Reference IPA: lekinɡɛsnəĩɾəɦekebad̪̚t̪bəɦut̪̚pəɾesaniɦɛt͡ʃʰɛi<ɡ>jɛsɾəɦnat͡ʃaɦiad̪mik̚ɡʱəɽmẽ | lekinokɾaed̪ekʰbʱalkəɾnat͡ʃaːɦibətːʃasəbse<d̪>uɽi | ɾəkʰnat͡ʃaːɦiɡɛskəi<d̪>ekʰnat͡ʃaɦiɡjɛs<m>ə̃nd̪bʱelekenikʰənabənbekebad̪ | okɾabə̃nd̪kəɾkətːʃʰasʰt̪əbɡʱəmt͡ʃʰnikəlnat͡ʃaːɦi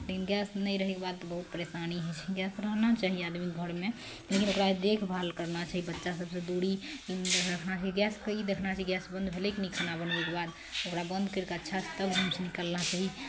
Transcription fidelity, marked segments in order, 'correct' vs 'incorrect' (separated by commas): correct, correct, correct, incorrect